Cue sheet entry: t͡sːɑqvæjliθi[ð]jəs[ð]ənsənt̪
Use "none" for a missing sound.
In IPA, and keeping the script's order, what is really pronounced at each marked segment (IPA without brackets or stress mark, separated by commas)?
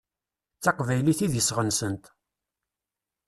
ð, ʁ